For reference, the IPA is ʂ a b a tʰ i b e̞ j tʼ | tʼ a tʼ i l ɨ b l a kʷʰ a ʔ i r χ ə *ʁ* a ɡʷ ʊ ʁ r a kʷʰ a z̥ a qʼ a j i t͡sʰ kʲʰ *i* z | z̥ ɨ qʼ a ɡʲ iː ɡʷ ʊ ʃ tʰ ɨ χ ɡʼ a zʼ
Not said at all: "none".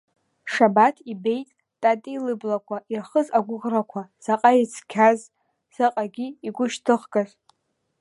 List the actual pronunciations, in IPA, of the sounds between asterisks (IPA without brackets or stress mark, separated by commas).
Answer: z, a